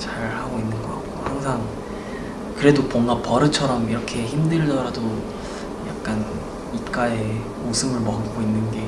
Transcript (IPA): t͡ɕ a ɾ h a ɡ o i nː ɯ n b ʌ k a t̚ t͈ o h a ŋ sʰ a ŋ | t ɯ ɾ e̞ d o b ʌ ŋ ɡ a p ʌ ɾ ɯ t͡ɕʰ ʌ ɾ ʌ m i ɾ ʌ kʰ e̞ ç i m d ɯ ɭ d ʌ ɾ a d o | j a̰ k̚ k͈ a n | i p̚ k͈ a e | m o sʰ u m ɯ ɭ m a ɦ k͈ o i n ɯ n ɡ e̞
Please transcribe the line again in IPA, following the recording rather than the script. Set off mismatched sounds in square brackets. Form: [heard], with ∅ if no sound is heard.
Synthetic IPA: t͡ɕ a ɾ h a ɡ o i nː ɯ n [ɡ] ʌ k a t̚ [k͈] o h a ŋ sʰ a ŋ | [k] ɯ ɾ e̞ d o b ʌ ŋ ɡ a p ʌ ɾ ɯ t͡ɕʰ ʌ ɾ ʌ m i ɾ ʌ kʰ e̞ ç i m d ɯ ɭ d ʌ ɾ a d o | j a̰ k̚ k͈ a n | i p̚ k͈ a e | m o sʰ [ɯ] m ɯ ɭ m [ʌ] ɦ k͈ o i [nː] ɯ n ɡ e̞

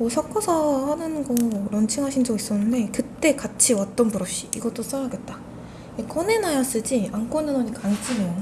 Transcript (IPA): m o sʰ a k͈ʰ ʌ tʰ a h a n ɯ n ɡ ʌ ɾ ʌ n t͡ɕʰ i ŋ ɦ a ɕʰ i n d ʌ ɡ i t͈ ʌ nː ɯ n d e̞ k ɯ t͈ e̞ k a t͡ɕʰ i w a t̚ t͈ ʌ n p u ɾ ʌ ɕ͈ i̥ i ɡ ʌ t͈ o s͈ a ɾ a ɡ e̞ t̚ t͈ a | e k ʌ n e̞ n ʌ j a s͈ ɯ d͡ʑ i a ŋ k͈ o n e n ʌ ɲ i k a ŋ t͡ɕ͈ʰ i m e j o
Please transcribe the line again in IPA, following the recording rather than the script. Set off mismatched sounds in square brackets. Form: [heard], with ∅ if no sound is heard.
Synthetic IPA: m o sʰ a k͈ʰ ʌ [sʰ] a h a n ɯ n ɡ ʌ ɾ ʌ n t͡ɕʰ i ŋ ɦ a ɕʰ i n [d͡ʑ] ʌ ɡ i [s͈] ʌ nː ɯ n d e̞ k ɯ t͈ e̞ k a t͡ɕʰ i w a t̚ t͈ ʌ n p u ɾ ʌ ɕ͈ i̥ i ɡ ʌ t͈ o s͈ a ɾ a ɡ e̞ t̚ t͈ a | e k ʌ n e̞ n [a] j a s͈ ɯ d͡ʑ i a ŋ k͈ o n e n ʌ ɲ i k a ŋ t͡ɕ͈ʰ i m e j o

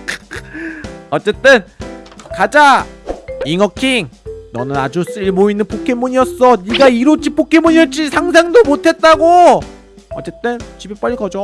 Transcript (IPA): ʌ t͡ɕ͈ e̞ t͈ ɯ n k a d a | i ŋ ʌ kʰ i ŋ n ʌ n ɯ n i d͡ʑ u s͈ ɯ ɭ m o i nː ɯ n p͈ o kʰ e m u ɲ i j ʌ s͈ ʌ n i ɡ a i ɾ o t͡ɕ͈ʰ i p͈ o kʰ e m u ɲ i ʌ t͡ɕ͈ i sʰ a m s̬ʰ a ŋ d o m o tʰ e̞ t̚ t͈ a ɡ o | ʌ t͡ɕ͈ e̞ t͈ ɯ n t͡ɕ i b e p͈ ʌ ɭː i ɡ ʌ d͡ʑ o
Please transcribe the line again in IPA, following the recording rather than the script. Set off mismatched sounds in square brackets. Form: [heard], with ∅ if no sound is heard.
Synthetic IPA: ʌ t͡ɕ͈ e̞ t͈ ɯ n k a [d͡ʑ] a | i ŋ ʌ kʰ i ŋ n ʌ n ɯ n [a] d͡ʑ u s͈ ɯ ɭ m o i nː ɯ n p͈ o kʰ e m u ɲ i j ʌ s͈ ʌ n i ɡ a i ɾ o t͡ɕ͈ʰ i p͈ o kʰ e m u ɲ i ʌ t͡ɕ͈ i sʰ a [ŋ] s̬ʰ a ŋ d o m o tʰ e̞ t̚ t͈ a ɡ o | ʌ t͡ɕ͈ e̞ t͈ ɯ n t͡ɕ i b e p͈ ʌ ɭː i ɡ ʌ d͡ʑ o

